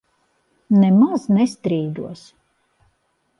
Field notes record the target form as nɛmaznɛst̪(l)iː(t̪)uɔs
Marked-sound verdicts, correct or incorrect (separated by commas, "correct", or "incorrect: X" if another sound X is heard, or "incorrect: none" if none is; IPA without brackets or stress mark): incorrect: ɾ, incorrect: d̪